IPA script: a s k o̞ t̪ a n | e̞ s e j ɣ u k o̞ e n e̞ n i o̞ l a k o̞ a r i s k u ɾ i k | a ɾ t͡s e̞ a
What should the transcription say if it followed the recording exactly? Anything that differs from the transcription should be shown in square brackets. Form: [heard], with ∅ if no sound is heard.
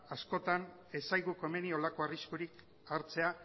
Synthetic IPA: a s k o̞ t̪ a n | e̞ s [a] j ɣ u k o̞ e [m] e̞ n i o̞ l a k o̞ a r i s k u ɾ i k | a ɾ t͡s e̞ a